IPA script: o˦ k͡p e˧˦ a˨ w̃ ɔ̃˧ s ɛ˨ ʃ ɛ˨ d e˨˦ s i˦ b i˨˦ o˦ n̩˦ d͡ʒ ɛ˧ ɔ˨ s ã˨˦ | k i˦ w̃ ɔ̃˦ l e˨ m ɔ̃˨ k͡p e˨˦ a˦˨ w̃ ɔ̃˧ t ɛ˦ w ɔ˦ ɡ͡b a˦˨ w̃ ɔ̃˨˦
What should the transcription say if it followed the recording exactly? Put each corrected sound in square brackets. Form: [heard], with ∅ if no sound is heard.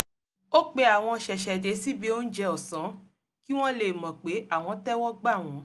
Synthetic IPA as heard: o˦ k͡p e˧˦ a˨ w̃ ɔ̃˧ [ʃ] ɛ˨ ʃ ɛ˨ d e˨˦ s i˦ b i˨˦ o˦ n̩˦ d͡ʒ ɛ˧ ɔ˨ s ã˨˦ | k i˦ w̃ ɔ̃˦ l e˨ m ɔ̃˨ k͡p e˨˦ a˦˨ w̃ ɔ̃˧ t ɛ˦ w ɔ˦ ɡ͡b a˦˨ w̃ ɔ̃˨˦